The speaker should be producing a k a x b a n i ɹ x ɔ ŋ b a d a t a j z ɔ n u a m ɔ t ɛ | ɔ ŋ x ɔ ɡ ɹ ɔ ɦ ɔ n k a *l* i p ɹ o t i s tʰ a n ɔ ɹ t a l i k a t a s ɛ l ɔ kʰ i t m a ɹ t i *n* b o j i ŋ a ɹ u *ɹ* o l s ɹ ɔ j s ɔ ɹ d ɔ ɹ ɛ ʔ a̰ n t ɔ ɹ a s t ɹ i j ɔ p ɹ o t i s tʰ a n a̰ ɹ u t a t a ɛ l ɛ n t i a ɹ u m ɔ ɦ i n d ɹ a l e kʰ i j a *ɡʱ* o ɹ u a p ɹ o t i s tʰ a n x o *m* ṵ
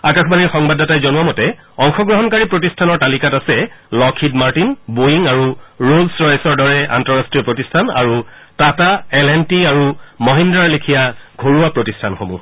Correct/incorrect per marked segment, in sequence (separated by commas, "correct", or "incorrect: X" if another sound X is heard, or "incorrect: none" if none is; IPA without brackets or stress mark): incorrect: ɹ, correct, correct, correct, correct